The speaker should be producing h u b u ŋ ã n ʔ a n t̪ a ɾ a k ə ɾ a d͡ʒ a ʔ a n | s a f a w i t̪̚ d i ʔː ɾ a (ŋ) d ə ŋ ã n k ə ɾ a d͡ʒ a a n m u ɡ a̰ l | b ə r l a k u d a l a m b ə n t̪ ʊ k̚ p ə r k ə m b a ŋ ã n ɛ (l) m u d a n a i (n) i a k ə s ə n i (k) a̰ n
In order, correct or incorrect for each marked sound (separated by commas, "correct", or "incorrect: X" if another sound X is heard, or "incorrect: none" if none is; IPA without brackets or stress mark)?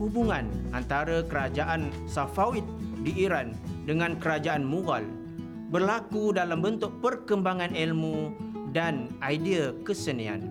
incorrect: n, correct, incorrect: d, incorrect: none